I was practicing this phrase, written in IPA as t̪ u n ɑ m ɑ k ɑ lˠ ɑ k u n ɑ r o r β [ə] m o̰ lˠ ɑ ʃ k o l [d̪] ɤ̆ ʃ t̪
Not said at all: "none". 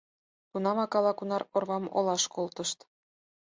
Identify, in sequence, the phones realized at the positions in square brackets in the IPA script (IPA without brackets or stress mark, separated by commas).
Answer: ɑ, t̪